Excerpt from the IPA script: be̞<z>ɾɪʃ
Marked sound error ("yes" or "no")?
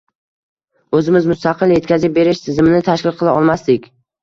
yes